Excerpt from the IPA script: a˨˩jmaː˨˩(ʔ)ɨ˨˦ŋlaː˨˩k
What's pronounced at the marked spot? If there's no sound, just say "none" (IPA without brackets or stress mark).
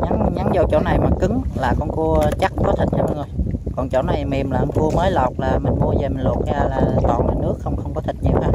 k